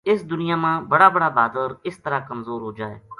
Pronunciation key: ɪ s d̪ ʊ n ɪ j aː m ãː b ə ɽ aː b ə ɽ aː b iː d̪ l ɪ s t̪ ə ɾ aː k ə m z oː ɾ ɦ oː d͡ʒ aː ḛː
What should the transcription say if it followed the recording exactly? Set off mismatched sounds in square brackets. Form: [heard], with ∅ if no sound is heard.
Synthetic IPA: ɪ s d̪ ʊ n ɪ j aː m ãː b ə ɽ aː b ə ɽ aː b [aː] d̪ [ɾ] ɪ s t̪ ə ɾ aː k ə m z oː ɾ ɦ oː d͡ʒ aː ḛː